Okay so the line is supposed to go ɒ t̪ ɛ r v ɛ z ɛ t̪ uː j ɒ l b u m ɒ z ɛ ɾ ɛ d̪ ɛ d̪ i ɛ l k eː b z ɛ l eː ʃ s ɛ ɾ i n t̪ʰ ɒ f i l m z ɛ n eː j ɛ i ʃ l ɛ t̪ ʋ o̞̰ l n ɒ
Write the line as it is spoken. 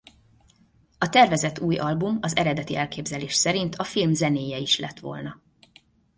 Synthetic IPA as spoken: ɒ t̪ ɛ r v ɛ z ɛ t̪ uː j ɒ l b u m ɒ z ɛ ɾ ɛ d̪ ɛ t̪ i ɛ l k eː b z ɛ l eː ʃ s ɛ ɾ i n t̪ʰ ɒ f i l m z ɛ n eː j ɛ i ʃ l ɛ t̪ ʋ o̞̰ l n ɒ